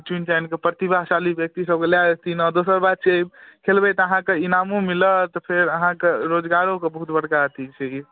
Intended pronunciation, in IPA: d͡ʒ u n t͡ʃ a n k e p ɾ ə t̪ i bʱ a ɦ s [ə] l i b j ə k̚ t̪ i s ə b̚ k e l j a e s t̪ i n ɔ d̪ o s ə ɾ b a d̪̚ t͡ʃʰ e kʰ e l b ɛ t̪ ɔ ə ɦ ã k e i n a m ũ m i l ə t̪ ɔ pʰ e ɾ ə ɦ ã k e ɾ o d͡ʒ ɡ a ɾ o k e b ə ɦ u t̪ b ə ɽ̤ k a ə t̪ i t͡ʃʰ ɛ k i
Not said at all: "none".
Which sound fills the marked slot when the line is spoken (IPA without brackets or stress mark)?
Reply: a